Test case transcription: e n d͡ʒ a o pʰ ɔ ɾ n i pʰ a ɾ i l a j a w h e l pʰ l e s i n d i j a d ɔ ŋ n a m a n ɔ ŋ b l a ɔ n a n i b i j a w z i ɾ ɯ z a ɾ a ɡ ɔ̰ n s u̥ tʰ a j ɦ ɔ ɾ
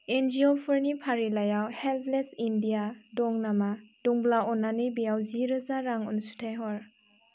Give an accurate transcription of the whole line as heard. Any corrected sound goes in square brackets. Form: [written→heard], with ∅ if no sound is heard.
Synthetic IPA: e n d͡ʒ [a→i] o pʰ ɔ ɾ n i pʰ a ɾ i l a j a w h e l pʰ l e s i n d i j a d ɔ ŋ n a m a [n→d] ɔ ŋ b l a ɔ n a n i b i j a w z i ɾ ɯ z a ɾ a [ɡ→ŋ] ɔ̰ n s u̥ tʰ a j ɦ ɔ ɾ